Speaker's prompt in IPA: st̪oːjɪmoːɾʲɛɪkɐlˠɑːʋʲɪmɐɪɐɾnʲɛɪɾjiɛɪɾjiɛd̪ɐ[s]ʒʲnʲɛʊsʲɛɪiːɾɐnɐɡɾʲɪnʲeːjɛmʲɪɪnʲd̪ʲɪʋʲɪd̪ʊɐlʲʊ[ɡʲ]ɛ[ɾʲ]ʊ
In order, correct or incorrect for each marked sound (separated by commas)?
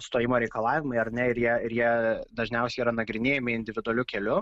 incorrect, incorrect, incorrect